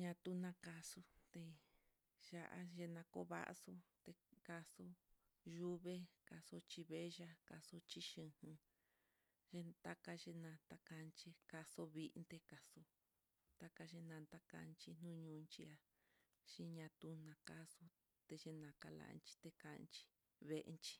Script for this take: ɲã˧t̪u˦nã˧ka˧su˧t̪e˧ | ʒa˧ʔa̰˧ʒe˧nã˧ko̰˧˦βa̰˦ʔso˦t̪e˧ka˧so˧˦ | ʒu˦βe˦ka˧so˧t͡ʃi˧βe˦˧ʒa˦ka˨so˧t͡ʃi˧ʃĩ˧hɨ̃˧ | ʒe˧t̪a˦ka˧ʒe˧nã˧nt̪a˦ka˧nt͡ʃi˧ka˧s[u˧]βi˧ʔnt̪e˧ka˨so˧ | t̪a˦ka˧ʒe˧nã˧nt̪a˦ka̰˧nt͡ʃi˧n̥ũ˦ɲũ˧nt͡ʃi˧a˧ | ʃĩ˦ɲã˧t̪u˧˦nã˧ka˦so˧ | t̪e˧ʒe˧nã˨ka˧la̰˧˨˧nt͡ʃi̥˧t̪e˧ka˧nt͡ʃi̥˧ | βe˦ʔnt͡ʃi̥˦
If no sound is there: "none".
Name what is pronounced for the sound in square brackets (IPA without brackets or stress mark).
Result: o˧